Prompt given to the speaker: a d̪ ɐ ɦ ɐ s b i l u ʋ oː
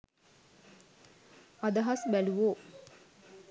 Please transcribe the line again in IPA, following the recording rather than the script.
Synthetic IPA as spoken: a d̪ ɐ ɦ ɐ s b æ l u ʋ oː